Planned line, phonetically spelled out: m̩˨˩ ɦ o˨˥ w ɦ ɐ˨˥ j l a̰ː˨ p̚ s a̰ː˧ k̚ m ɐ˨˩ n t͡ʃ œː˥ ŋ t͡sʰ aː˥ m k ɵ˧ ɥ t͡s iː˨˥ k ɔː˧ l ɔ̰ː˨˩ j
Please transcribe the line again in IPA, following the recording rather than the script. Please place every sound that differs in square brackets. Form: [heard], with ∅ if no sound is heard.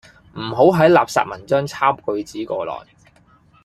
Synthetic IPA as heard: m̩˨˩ ɦ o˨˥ w ɦ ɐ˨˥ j l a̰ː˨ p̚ s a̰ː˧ [t̚] m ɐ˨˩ n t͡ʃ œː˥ ŋ t͡sʰ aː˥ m k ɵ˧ ɥ t͡s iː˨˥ k ɔː˧ l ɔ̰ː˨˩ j